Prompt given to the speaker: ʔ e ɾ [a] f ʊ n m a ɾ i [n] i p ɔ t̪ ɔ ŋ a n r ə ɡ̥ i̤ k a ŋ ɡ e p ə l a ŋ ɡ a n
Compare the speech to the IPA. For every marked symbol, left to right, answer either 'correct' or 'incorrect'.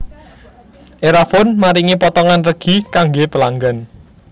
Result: correct, incorrect

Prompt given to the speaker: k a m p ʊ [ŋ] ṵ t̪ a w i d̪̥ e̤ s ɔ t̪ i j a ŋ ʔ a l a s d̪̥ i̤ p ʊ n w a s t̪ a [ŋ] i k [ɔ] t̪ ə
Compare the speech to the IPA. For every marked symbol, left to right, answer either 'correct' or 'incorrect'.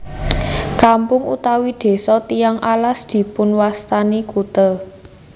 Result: correct, incorrect, incorrect

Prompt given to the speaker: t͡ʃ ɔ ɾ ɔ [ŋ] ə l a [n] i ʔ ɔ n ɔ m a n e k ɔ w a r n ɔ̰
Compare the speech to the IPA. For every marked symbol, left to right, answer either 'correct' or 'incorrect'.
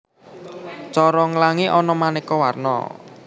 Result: correct, incorrect

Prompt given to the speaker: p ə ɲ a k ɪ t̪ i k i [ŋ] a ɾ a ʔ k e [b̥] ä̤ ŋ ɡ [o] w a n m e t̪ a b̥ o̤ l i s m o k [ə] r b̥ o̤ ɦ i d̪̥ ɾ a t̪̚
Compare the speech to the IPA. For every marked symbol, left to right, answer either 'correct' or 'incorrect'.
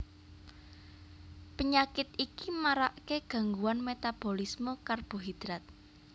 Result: incorrect, incorrect, incorrect, incorrect

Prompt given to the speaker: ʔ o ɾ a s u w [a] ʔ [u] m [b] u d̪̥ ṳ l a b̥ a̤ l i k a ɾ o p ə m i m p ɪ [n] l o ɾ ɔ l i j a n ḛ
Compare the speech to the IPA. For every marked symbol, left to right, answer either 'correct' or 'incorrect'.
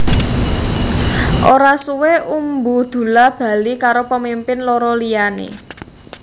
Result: incorrect, correct, correct, correct

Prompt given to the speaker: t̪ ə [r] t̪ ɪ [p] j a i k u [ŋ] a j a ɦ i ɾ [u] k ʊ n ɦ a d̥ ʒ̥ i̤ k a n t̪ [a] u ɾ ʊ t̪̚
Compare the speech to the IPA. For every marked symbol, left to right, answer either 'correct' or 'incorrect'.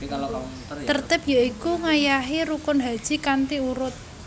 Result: correct, correct, correct, correct, incorrect

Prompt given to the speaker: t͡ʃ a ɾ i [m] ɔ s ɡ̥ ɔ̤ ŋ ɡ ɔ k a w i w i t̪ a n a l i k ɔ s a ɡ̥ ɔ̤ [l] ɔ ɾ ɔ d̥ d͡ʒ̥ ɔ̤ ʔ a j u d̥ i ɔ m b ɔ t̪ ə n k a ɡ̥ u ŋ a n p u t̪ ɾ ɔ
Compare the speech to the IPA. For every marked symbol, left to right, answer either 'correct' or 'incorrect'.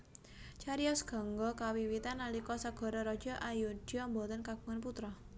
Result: incorrect, incorrect

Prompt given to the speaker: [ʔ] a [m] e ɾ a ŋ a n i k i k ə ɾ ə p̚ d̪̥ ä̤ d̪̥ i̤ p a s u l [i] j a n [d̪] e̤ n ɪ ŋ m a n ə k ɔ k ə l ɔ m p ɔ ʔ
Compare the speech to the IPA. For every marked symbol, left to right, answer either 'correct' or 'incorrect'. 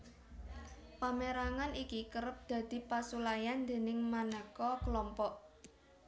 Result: incorrect, correct, incorrect, correct

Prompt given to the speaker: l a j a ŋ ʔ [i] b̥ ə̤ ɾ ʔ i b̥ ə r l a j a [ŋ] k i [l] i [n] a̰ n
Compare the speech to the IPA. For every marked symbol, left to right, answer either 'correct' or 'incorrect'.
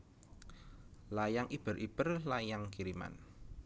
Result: correct, correct, incorrect, incorrect

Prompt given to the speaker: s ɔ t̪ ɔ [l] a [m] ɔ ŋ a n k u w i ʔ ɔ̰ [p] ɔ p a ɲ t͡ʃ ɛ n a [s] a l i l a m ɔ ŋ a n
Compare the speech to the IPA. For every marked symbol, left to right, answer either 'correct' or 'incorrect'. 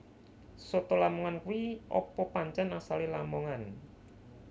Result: correct, correct, correct, correct

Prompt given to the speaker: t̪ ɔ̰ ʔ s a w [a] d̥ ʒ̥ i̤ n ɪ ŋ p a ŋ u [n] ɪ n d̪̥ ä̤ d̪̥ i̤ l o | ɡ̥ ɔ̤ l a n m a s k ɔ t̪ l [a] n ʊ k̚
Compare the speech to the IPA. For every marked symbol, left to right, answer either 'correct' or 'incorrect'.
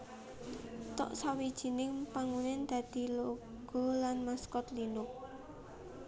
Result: incorrect, correct, incorrect

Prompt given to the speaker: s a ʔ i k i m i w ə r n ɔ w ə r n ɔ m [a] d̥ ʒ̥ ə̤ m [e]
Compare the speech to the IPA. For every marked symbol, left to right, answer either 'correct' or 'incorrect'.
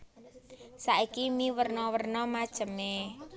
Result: correct, correct

